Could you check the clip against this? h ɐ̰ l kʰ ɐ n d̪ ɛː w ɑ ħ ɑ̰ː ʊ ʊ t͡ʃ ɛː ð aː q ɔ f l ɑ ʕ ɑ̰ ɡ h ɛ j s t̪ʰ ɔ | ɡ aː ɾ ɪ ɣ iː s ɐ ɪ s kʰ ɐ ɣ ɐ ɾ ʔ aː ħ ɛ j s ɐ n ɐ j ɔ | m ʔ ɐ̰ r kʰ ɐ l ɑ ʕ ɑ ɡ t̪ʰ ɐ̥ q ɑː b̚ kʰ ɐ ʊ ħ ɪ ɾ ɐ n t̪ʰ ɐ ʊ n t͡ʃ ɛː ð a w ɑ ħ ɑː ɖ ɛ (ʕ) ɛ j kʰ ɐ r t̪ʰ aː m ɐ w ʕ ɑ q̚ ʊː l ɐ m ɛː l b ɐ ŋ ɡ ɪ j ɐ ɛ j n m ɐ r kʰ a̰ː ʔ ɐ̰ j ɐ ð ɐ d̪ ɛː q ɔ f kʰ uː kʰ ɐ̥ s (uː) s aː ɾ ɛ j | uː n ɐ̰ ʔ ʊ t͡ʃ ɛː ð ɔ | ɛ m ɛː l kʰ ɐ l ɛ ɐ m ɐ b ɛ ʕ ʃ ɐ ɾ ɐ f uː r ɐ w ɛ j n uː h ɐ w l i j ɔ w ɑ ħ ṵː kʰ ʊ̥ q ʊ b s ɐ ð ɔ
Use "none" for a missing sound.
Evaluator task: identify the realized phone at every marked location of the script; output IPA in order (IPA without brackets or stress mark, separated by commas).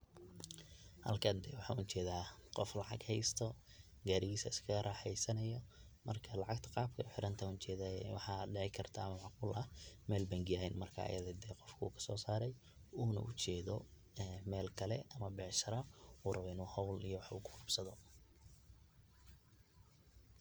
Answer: ʕ, ɔː